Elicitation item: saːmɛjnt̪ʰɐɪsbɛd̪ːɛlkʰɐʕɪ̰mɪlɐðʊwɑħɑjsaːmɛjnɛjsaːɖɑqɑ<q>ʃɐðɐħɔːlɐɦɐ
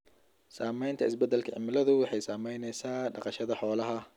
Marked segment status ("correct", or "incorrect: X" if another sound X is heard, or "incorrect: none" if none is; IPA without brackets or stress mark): incorrect: none